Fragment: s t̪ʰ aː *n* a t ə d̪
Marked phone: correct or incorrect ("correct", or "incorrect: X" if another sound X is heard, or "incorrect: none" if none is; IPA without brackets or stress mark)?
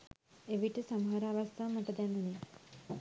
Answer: incorrect: m